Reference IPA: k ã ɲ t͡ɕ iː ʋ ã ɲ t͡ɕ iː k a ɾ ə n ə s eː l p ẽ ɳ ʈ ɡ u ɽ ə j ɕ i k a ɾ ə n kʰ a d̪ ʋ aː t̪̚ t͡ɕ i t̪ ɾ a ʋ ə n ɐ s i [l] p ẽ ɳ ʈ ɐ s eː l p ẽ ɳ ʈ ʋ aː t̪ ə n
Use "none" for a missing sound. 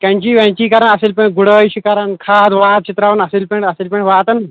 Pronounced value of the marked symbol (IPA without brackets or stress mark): l